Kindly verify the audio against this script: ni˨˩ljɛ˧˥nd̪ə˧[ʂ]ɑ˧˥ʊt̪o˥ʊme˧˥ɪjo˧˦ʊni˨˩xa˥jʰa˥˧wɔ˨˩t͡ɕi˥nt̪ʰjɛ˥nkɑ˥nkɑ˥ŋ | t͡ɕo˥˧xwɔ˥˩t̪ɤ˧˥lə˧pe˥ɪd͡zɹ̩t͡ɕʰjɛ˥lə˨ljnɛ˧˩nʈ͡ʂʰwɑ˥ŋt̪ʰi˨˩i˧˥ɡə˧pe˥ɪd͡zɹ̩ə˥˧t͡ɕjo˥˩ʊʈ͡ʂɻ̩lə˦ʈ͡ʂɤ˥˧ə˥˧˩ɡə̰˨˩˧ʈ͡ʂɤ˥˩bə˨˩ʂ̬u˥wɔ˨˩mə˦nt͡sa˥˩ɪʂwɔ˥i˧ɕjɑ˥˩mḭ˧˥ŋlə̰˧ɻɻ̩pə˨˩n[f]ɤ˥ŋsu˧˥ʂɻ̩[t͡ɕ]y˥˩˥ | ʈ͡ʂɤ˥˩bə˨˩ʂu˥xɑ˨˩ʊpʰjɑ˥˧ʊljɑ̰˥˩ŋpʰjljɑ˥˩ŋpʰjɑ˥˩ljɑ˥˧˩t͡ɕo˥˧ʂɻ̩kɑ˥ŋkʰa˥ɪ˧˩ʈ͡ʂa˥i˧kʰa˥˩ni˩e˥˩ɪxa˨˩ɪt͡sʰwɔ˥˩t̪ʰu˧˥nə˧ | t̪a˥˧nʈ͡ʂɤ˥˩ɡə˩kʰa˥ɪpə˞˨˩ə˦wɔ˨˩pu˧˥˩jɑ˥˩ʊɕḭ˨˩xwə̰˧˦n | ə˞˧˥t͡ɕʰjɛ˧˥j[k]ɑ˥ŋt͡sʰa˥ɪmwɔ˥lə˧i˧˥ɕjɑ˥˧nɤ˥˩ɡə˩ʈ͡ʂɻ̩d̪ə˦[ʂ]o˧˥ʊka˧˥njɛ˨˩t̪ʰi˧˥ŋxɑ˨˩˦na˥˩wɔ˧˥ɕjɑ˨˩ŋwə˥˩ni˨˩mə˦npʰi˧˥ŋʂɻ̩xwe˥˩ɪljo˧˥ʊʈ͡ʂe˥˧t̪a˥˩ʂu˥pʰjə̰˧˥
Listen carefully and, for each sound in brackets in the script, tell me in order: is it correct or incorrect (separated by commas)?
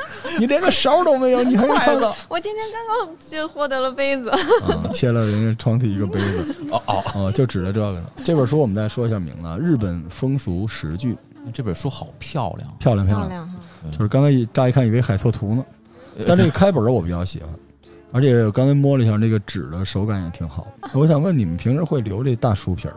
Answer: correct, correct, correct, correct, correct